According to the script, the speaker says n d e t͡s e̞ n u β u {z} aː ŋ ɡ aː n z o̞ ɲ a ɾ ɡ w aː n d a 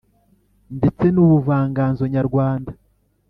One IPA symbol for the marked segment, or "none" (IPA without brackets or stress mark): v